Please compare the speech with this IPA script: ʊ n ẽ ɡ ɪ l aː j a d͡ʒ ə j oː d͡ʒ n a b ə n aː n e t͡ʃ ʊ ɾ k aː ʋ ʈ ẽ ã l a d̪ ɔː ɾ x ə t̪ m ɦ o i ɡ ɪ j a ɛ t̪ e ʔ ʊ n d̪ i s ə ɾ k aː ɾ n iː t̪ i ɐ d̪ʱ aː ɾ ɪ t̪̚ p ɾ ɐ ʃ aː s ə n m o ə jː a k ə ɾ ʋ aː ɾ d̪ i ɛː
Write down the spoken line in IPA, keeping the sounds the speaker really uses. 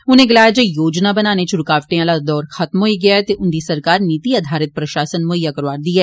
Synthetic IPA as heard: ʊ n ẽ ɡ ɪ l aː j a d͡ʒ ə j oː d͡ʒ n a b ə n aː n e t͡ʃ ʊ ɾ k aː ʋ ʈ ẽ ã l a d̪ ɔː ɾ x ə t̪ m ɦ o i ɡ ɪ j a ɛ t̪ e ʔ ʊ n d̪ i s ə ɾ k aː ɾ n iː t̪ i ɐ d̪ʱ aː ɾ ɪ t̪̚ p ɾ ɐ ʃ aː s ə n m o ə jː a k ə ɾ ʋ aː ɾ d̪ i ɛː